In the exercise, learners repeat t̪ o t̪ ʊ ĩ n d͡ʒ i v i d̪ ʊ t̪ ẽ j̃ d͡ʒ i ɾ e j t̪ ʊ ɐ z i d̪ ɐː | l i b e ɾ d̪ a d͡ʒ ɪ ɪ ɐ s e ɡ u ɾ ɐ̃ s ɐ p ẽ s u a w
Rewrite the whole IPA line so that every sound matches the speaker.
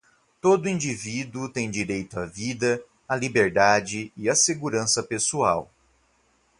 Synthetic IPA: t̪ o d̪ ʊ ĩ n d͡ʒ i v i d̪ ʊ t̪ ẽ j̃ d͡ʒ i ɾ e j t̪ ʊ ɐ v i d̪ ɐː | l i b e ɾ d̪ a d͡ʒ ɪ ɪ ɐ s e ɡ u ɾ ɐ̃ s ɐ p e s u a w